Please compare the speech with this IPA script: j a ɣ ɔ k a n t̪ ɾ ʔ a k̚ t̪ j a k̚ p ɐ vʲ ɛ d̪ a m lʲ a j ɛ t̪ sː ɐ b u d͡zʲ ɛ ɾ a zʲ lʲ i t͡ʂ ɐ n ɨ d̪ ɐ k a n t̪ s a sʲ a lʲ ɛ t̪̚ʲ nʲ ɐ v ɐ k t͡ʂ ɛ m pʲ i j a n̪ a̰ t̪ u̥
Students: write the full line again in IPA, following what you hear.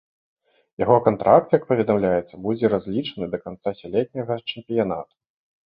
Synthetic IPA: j a ɣ ɔ k a n t̪ ɾ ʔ a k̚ t̪ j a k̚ p ɐ vʲ ɛ d̪ a m lʲ a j ɛ t̪ sː ɐ b u d͡zʲ ɛ ɾ a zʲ lʲ i t͡ʂ ɐ n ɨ d̪ ɐ k a n t̪ s a sʲ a lʲ ɛ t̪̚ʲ nʲ ɐ ɣ ɐ t͡ʂ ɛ m pʲ i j a n̪ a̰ t̪ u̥